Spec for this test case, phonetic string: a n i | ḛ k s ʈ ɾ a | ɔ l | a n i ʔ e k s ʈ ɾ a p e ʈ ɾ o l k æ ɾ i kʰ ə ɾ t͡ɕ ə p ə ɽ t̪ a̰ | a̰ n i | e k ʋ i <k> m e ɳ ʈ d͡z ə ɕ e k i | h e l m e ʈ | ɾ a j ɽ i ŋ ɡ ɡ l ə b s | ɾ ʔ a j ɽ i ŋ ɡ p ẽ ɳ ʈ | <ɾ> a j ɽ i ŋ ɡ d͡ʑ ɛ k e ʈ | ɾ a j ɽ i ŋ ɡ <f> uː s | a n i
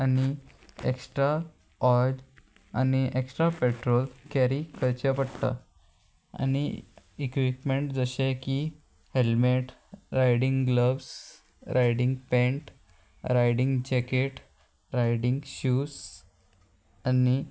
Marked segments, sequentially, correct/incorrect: incorrect: p, correct, incorrect: ɕ

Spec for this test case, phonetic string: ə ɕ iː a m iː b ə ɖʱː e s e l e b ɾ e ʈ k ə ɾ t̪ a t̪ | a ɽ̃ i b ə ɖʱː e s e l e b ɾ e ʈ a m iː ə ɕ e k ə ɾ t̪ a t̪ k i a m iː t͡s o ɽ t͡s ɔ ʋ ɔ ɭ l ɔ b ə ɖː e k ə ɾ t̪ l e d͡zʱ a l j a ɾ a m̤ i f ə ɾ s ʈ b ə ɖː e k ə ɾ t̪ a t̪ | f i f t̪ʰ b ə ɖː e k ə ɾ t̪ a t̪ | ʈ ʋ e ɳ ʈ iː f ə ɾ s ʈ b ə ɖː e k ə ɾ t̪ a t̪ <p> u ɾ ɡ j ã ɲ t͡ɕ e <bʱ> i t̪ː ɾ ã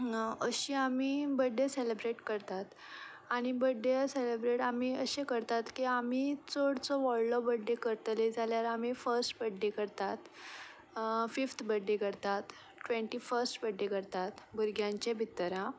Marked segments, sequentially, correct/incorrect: incorrect: b, correct

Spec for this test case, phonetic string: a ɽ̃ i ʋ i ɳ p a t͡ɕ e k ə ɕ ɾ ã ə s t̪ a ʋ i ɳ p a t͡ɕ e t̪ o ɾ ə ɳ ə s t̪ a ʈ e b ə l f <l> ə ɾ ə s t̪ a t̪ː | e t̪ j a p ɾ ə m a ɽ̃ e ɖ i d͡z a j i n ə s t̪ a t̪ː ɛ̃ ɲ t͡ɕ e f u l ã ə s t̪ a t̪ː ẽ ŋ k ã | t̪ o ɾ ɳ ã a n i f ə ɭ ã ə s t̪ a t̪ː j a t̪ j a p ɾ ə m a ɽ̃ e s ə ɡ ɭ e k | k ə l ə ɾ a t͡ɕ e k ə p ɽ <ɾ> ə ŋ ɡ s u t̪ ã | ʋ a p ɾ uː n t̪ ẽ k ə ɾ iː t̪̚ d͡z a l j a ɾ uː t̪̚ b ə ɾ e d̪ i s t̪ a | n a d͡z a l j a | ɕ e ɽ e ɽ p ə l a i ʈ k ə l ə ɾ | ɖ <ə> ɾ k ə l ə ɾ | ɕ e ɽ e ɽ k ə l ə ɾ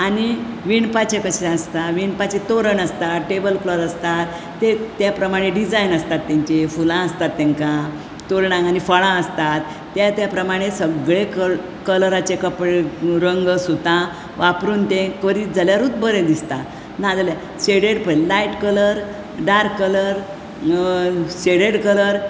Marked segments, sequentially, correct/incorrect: correct, correct, incorrect: a

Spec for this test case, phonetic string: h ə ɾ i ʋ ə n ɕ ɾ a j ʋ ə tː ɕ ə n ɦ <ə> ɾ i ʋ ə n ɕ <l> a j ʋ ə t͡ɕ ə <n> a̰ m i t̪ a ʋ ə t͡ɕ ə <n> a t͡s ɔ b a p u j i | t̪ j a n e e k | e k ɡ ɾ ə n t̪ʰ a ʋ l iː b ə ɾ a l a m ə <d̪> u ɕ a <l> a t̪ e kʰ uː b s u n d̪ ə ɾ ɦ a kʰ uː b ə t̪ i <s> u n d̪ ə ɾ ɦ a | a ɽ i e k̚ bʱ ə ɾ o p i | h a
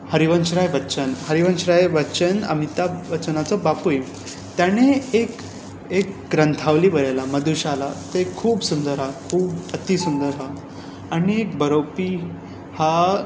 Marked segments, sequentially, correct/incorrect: correct, incorrect: ɾ, correct, correct, correct, correct, correct

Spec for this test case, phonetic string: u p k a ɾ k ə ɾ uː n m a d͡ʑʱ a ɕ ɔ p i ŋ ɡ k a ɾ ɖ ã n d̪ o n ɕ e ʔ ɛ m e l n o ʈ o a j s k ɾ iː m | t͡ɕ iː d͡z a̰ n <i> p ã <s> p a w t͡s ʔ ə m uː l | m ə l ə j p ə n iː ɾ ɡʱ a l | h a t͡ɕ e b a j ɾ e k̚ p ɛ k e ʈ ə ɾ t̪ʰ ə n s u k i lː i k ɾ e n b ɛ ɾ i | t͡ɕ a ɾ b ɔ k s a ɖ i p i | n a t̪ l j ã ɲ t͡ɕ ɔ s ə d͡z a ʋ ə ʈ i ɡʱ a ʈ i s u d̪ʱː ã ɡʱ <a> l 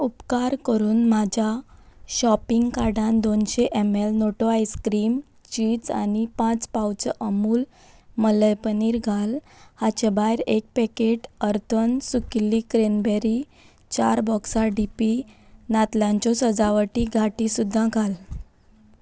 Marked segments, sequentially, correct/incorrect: correct, incorrect: t͡s, correct

